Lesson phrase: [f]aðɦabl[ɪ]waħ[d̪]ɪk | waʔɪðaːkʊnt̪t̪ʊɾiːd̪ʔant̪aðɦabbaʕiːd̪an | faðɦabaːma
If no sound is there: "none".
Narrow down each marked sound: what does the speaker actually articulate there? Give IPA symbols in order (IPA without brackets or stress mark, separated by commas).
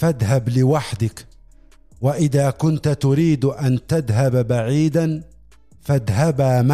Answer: f, ɪ, d̪